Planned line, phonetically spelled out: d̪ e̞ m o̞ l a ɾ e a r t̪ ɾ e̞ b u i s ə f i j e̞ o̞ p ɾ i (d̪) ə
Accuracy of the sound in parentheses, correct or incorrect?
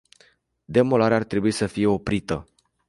incorrect